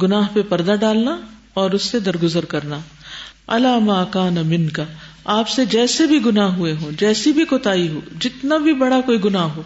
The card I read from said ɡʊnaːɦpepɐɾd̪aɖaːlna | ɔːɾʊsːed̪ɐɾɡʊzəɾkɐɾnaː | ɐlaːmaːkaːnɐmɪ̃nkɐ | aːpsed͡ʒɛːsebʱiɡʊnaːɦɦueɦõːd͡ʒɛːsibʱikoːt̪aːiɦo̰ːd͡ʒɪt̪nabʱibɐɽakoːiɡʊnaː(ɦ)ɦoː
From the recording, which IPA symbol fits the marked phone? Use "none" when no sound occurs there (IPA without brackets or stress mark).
ɦ